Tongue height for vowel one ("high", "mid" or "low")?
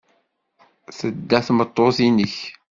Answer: mid